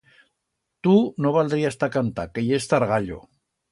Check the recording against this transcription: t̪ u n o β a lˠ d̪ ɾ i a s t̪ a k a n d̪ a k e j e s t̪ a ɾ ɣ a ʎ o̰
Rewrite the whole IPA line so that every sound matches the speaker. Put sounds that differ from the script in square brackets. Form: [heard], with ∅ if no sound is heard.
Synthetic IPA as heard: t̪ u n o β a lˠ d̪ ɾ i a s t̪ a k a n [t̪] a k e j e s t̪ a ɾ ɣ a ʎ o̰